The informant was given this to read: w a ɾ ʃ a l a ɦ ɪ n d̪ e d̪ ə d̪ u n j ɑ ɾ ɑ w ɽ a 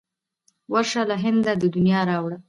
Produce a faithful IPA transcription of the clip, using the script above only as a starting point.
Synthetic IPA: w a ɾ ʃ a l a ɦ ɪ n d̪ a d̪ ə d̪ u n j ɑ ɾ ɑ w ɽ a